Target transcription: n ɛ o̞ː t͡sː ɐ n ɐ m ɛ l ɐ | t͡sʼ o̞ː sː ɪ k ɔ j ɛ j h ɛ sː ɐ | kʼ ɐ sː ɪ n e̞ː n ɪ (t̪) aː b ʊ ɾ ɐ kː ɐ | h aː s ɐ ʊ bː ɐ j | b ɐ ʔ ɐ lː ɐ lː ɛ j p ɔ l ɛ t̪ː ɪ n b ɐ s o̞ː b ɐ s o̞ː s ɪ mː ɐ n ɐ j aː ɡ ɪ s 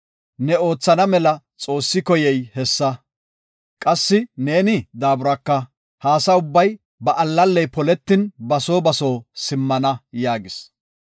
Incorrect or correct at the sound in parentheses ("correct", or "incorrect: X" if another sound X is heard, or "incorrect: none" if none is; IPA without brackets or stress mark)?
incorrect: d̪